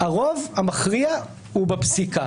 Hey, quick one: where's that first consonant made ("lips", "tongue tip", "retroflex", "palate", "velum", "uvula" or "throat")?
uvula